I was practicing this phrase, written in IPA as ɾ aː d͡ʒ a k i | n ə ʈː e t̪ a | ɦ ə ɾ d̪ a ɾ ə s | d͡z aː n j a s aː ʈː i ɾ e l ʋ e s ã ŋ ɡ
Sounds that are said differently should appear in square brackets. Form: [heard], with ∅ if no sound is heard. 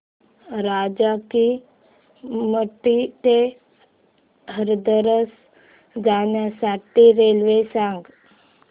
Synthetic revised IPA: ɾ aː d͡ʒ a k i | [m] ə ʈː [i] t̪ [e] | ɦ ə ɾ d̪ [ə] ɾ ə s | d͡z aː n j a s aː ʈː i ɾ e l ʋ e s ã ŋ ɡ

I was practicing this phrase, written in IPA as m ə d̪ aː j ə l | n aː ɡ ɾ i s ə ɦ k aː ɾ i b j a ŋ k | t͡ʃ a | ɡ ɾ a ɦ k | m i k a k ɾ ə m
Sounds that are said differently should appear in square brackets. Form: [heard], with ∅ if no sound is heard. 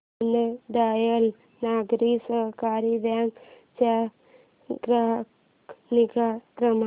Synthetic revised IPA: [n] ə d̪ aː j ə l | n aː ɡ ɾ i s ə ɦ k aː ɾ i b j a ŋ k | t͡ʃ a | ɡ ɾ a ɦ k | [n] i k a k ɾ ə m

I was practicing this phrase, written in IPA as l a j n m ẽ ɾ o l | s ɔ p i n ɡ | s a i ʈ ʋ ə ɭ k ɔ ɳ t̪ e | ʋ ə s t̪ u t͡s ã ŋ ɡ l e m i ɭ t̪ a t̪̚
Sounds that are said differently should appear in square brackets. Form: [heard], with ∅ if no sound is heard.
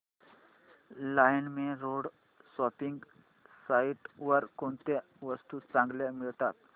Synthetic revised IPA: l a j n m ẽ ɾ o [ɽ] | s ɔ p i [ŋ] ɡ | s a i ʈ ʋ ə [ɾ] k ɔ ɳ t̪ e | ʋ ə s t̪ u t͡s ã ŋ ɡ l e m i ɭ t̪ a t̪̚

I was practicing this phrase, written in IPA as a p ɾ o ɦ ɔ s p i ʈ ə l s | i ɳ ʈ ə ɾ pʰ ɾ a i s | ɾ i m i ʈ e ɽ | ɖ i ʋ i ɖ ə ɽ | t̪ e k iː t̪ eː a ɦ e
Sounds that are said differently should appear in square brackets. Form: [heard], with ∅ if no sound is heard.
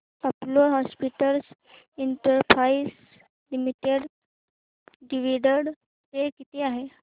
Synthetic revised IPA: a p [l] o ɦ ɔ s p i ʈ ə l s | i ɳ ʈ ə ɾ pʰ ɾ a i s | [l] i m i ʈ e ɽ | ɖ i ʋ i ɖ ə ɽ | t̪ e k [i] t̪ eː a ɦ e

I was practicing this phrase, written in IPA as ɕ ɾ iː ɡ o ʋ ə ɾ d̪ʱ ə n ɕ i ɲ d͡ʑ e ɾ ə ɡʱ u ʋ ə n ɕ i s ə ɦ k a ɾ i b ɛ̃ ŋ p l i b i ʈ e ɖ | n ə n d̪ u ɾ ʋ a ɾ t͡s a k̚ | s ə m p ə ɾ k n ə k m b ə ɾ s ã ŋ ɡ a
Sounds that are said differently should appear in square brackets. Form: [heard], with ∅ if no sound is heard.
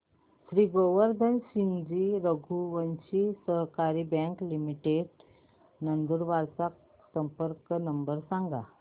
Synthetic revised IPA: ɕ ɾ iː ɡ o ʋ ə ɾ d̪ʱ ə n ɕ i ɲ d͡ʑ [i] ɾ ə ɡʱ u ʋ ə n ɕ i s ə ɦ k a ɾ i b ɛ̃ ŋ [k] l i [m] i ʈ e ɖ | n ə n d̪ u ɾ ʋ a ɾ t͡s a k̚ | s ə m p ə ɾ k n ə [∅] m b ə ɾ s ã ŋ ɡ a

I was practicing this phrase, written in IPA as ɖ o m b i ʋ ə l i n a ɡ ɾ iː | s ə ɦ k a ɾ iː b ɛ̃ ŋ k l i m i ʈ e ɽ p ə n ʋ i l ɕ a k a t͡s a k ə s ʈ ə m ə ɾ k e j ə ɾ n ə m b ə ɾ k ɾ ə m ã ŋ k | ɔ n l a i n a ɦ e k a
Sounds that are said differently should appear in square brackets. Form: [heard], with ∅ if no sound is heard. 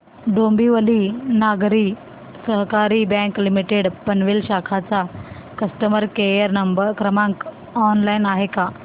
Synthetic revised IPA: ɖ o m b i ʋ ə l i n a ɡ ɾ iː | s ə ɦ k a ɾ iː b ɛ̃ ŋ k l i m i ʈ e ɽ p ə n ʋ i l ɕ a [kʰ] a t͡s a k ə s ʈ ə m ə ɾ k e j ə ɾ n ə m b ə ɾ k ɾ ə m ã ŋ k | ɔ n l a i n a ɦ e k a

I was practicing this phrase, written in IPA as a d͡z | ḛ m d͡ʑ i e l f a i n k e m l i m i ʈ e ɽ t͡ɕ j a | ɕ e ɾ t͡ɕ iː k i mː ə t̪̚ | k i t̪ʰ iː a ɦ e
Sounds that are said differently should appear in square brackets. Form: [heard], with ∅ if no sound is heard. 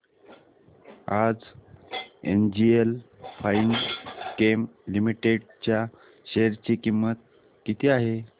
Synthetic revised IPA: a d͡z | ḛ [n] d͡ʑ i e l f a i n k e m l i m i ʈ e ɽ t͡ɕ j a | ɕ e ɾ t͡ɕ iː k i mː ə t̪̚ | k i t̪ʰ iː a ɦ e

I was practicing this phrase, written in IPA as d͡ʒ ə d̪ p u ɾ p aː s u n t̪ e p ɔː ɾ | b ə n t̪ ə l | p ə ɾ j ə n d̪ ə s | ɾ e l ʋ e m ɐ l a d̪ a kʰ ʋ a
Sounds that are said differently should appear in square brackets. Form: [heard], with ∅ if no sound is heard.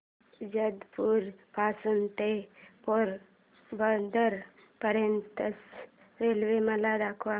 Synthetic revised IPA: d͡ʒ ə d̪ p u ɾ p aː s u n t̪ e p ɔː ɾ | b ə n [d̪] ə [ɾ] | p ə ɾ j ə n [t̪] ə s | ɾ e l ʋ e m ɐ l a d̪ a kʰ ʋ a

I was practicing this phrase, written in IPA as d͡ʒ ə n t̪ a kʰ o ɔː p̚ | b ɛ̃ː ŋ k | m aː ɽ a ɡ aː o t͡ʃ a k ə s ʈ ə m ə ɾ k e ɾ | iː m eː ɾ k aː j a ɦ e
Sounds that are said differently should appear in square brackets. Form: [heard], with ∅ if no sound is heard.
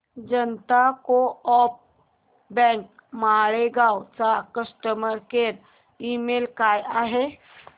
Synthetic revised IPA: d͡ʒ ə n t̪ a [k] o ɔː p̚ | b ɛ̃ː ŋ k | m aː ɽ [e] ɡ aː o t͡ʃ a k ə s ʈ ə m ə ɾ k e ɾ | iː m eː [l] k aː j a ɦ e

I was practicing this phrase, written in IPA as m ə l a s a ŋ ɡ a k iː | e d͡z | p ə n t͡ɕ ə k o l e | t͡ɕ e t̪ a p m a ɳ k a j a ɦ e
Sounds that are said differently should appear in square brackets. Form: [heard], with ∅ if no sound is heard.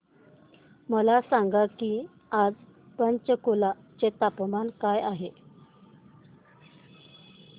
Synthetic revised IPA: m ə l a s a ŋ ɡ a k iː | [a] d͡z | p ə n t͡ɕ ə k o l [a] | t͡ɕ e t̪ a p m a [n] k a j a ɦ e

